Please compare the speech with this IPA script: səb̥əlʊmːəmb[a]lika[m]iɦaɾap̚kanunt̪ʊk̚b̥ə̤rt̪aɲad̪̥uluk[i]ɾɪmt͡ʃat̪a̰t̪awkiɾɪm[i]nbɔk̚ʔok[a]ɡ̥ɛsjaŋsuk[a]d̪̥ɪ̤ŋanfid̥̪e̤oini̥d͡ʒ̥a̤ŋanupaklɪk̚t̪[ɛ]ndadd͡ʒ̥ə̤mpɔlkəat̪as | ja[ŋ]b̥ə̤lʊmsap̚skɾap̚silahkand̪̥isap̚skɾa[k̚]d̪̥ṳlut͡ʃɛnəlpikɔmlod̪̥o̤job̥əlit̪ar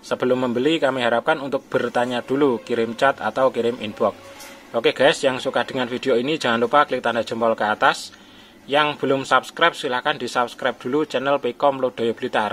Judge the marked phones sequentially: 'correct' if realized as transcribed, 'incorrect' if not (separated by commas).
incorrect, correct, correct, correct, incorrect, correct, incorrect, correct, incorrect